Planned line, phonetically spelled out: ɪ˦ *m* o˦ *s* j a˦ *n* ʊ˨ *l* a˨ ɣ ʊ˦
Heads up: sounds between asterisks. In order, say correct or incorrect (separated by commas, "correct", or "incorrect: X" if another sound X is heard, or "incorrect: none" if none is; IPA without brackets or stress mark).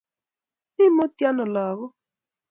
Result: correct, incorrect: t, correct, correct